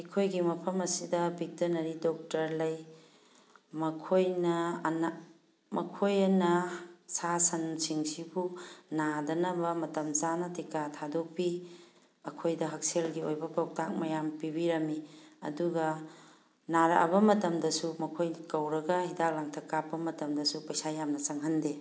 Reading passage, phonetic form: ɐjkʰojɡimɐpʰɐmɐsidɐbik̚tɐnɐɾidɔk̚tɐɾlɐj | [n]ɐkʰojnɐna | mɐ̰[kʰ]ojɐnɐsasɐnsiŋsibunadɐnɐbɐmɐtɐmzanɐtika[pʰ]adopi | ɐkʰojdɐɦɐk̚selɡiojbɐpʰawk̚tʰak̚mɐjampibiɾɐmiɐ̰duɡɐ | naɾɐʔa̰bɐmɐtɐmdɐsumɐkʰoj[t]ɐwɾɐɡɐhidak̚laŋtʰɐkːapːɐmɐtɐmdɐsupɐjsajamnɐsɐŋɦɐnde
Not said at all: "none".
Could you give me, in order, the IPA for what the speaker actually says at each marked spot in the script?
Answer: m, kʰ, tʰ, k

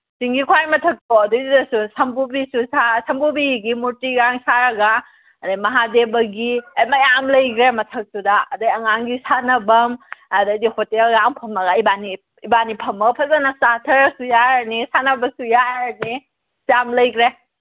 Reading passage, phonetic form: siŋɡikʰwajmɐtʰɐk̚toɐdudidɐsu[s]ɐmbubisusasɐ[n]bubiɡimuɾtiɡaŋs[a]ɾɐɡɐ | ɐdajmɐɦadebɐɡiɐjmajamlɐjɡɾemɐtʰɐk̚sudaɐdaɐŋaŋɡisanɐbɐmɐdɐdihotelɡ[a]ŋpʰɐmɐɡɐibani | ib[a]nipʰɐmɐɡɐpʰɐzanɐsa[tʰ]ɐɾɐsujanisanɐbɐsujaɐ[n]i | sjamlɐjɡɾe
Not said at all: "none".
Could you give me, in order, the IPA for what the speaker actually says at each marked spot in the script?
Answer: s, m, a, a, a, tʰ, n

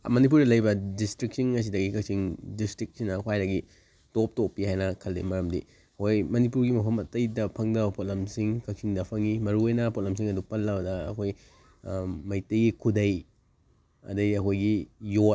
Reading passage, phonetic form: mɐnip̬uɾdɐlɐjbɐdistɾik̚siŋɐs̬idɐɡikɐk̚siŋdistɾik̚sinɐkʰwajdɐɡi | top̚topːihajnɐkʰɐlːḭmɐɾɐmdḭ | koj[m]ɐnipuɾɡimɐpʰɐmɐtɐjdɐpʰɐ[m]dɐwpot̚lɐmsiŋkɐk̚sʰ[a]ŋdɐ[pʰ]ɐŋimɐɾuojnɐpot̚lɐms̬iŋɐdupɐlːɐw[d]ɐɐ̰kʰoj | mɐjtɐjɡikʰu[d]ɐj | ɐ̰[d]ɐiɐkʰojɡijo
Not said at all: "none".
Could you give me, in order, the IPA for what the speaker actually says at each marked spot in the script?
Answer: m, ŋ, i, pʰ, d, d, d

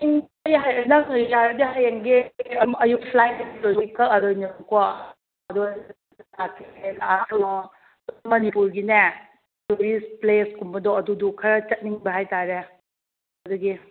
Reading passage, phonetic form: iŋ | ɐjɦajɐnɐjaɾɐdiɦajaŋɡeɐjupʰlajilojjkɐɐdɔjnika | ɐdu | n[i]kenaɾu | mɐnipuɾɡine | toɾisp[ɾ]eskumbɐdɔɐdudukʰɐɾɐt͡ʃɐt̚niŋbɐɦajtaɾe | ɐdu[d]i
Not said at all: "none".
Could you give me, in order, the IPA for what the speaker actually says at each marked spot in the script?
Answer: a, l, ɡ

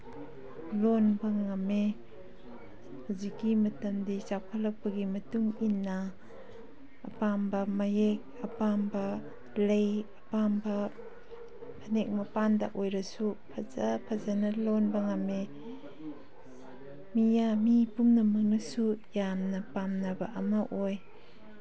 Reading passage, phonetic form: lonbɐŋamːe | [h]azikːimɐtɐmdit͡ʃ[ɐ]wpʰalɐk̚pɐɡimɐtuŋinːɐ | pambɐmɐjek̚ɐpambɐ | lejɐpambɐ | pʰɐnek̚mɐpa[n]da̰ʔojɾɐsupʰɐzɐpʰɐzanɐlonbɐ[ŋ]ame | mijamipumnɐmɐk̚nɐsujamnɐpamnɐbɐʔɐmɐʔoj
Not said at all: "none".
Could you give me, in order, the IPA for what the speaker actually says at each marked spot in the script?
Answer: h, a, n, ŋ

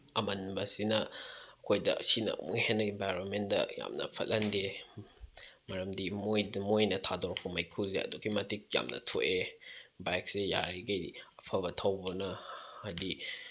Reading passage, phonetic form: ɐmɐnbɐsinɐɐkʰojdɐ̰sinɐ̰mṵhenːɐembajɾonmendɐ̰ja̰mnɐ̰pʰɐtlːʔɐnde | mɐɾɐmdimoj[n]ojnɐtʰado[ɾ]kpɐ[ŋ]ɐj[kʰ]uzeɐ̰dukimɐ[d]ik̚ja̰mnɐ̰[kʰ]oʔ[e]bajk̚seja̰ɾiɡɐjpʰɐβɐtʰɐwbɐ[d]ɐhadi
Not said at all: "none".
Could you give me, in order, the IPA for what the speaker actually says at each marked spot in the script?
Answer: m, ɾ, m, kʰ, t, tʰ, e, n

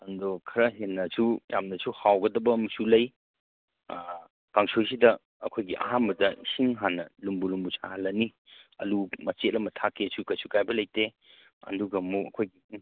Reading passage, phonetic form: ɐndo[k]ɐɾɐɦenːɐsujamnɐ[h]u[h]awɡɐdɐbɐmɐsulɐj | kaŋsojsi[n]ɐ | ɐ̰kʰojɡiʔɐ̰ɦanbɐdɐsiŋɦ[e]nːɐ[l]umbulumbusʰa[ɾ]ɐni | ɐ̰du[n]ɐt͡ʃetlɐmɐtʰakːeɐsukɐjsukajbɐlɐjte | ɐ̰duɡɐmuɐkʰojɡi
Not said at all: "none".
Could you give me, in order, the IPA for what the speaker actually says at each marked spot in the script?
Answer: kʰ, s, h, d, a, l, l, m

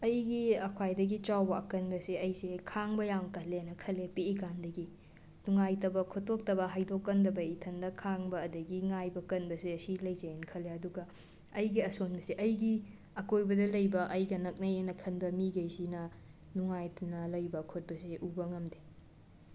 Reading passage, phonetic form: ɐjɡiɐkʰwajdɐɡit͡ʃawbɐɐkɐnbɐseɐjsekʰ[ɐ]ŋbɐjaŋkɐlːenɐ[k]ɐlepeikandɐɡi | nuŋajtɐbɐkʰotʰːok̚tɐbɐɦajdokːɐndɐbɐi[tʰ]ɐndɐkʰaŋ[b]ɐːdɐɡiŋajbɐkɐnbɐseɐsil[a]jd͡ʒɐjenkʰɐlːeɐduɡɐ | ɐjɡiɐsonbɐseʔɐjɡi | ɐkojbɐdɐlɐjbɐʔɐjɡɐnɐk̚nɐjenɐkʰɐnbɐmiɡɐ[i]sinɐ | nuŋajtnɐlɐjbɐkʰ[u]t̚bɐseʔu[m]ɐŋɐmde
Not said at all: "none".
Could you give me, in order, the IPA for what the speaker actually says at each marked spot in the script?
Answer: a, kʰ, tʰ, b, ɐ, j, o, b

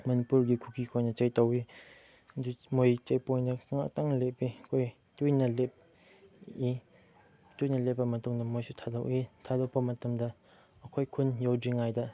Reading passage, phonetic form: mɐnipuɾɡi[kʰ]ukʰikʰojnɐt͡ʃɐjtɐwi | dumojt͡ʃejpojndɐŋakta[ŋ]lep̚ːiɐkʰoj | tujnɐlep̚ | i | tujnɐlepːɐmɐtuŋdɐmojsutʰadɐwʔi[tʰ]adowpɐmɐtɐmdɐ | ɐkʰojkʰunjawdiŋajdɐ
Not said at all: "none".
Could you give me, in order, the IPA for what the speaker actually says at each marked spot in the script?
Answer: kʰ, ŋ, tʰ

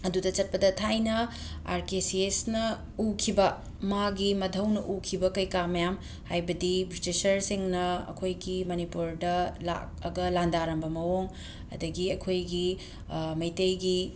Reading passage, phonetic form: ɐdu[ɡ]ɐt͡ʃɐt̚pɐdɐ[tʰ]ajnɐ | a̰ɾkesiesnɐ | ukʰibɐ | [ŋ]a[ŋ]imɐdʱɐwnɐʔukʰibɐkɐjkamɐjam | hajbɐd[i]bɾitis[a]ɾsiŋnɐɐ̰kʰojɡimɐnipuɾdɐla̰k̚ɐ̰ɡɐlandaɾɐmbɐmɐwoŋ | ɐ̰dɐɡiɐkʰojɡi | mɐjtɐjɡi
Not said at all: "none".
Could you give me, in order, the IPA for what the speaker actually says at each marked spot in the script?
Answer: d, tʰ, m, ɡ, i, ɐ

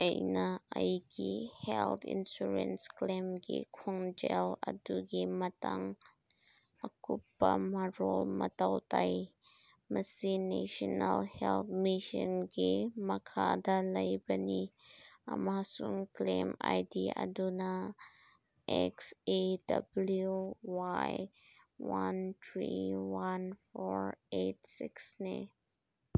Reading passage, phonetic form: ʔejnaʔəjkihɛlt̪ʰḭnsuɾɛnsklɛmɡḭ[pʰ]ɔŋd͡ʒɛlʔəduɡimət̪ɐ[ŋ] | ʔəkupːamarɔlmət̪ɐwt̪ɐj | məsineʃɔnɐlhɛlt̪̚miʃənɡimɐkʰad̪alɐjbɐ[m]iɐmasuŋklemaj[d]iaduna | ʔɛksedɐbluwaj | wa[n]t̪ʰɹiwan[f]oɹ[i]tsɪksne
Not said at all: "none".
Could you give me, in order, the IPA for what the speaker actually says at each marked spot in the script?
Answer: kʰ, ŋ, n, d, n, f, e

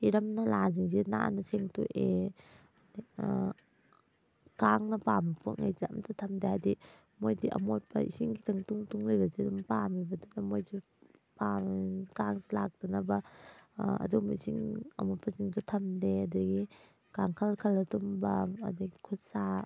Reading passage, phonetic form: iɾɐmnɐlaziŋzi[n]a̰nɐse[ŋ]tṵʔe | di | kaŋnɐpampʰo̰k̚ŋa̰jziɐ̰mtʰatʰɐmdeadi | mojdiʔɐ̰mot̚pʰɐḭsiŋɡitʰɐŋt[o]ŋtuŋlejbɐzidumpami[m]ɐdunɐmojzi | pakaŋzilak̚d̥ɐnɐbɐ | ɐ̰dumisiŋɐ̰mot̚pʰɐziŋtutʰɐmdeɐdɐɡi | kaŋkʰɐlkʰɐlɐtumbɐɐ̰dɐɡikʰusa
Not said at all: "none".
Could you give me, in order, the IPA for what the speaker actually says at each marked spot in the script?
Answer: n, ŋ, u, b

